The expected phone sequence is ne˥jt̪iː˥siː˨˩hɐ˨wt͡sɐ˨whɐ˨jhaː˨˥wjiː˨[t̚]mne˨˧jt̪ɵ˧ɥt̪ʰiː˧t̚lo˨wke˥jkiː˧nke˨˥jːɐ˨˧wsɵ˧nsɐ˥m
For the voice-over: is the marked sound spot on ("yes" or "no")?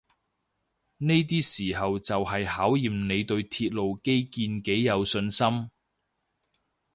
no